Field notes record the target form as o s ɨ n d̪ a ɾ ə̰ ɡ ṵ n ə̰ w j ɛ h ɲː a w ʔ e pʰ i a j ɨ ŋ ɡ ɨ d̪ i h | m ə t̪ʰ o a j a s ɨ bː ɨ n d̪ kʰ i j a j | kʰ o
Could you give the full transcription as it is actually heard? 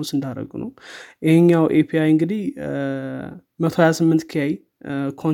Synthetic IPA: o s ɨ n d̪ a ɾ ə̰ ɡ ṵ n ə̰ w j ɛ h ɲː a w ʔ e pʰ i a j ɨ ŋ ɡ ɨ d̪ i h | m ə t̪ʰ o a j a s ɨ mː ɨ n t̪ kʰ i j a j | kʰ o